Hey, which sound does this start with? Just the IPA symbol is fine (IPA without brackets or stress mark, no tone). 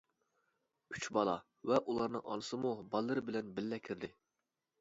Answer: y